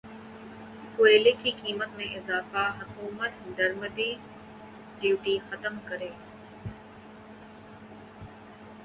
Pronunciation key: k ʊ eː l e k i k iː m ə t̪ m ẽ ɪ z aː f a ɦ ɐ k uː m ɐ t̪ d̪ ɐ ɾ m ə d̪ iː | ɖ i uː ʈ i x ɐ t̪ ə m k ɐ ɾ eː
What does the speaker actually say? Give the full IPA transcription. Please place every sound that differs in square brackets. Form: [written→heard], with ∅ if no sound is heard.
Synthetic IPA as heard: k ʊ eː l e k i k iː m ə t̪ m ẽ ɪ z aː f a ɦ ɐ k uː m [ɐ→ə] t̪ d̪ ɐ ɾ m ə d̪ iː | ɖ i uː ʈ i x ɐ t̪ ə m k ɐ ɾ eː